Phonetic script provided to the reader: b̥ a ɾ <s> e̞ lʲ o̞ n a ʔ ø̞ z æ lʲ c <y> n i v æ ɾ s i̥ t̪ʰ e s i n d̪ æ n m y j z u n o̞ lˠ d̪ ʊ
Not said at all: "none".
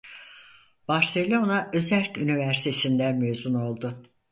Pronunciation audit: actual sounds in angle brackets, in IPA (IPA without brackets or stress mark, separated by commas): s, y